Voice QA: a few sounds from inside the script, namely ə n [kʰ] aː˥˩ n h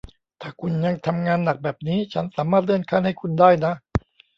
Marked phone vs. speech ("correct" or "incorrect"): correct